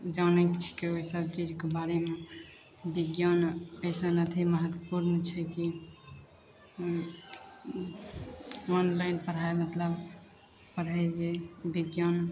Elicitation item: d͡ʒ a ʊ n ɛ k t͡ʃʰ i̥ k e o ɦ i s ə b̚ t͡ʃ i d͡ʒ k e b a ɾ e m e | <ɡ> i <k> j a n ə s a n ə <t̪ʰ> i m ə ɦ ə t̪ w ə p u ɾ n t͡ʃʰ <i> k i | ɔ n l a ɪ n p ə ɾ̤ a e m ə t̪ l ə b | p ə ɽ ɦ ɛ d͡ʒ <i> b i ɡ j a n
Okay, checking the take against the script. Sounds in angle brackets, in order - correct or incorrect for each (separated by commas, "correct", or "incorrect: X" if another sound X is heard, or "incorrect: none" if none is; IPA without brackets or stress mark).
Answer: incorrect: b, incorrect: ɡ, correct, incorrect: ɛ, incorrect: e